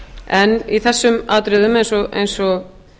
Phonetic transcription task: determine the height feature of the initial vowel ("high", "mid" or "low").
mid